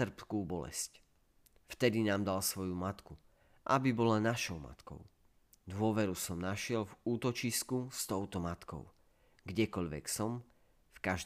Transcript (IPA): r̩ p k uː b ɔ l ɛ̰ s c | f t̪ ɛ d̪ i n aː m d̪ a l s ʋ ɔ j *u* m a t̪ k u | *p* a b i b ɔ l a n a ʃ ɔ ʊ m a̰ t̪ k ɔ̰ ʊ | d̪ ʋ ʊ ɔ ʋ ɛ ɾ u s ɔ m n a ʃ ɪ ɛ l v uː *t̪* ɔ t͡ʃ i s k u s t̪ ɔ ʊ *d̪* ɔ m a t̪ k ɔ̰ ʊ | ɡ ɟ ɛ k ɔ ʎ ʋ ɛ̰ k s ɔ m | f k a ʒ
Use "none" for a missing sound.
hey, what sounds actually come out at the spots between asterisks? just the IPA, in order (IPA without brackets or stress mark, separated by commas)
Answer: u, ʔ, t̪, t̪